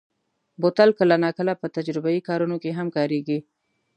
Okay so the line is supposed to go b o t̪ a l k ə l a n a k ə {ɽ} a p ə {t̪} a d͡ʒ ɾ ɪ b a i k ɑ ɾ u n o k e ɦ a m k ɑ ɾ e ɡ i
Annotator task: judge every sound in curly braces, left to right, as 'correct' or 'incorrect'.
incorrect, correct

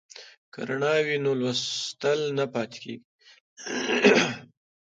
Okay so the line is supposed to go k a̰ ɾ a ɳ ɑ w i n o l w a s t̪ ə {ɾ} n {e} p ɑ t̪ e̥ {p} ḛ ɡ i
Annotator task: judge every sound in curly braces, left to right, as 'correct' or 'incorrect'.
incorrect, incorrect, incorrect

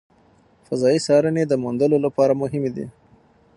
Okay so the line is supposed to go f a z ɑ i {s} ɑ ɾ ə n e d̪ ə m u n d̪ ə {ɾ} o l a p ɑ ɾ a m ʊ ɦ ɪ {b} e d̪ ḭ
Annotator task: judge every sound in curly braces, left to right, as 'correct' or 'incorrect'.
correct, incorrect, incorrect

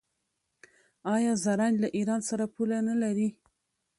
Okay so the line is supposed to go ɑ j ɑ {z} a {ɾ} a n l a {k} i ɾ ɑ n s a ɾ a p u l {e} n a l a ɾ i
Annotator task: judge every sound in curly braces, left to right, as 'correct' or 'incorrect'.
correct, correct, incorrect, incorrect

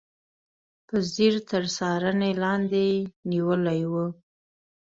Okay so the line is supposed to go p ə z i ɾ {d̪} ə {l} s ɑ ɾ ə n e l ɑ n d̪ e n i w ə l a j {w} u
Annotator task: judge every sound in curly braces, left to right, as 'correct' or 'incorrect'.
incorrect, incorrect, correct

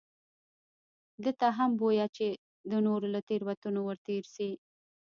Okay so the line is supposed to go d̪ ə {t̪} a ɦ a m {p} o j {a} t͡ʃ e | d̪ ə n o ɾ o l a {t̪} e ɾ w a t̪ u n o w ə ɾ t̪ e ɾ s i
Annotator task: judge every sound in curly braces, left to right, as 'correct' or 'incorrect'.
correct, incorrect, correct, correct

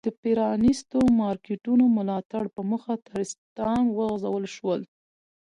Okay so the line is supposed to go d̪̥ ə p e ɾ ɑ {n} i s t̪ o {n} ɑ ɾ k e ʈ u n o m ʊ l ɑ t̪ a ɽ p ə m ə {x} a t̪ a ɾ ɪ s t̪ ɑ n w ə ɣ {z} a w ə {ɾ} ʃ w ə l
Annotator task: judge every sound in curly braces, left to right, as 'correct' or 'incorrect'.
correct, incorrect, correct, correct, incorrect

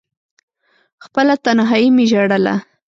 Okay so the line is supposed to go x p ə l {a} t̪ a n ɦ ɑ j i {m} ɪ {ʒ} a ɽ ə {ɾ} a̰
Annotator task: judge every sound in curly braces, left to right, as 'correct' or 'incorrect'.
correct, correct, correct, incorrect

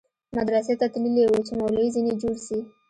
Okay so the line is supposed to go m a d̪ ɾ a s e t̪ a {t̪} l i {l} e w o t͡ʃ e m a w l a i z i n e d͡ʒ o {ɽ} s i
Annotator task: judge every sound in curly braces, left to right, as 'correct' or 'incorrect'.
correct, correct, correct

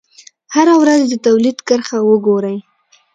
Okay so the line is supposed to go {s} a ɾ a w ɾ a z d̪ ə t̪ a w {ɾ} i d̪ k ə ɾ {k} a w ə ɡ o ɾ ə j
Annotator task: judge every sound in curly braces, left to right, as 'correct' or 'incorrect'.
incorrect, incorrect, incorrect

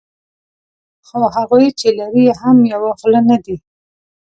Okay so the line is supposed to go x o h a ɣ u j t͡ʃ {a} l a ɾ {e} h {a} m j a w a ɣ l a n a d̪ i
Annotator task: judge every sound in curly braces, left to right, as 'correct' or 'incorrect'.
incorrect, incorrect, correct

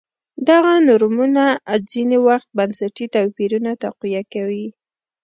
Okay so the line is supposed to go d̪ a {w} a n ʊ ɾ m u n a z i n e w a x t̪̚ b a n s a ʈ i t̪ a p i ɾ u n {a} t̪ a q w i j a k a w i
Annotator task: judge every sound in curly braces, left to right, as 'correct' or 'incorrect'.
incorrect, correct

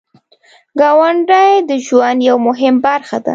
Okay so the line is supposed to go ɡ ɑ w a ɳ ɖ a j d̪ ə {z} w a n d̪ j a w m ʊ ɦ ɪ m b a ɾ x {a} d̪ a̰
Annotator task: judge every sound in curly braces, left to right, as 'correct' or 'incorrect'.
incorrect, correct

